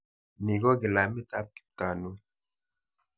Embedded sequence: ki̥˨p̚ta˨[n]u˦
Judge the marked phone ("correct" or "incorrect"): correct